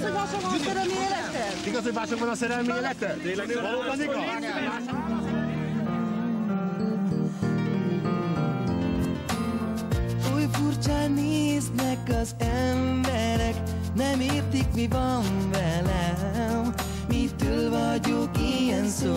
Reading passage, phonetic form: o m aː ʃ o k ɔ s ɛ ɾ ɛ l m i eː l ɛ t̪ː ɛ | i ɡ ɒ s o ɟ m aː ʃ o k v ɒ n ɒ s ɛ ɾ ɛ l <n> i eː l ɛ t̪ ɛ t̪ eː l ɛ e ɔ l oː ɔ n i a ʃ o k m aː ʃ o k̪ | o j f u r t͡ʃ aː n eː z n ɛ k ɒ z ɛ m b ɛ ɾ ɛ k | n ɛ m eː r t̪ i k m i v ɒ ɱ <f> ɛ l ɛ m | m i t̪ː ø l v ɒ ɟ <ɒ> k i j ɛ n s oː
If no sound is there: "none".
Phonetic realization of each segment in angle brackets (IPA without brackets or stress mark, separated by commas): m, v, o